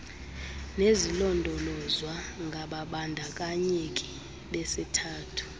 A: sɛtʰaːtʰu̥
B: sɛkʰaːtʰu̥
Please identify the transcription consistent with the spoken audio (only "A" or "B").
A